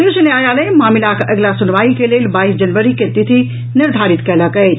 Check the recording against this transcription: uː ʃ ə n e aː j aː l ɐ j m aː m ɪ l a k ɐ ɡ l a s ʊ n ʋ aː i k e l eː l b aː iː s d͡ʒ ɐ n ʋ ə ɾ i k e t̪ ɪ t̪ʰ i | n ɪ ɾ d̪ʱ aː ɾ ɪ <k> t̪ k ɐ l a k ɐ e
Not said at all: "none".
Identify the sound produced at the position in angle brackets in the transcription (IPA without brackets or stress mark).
none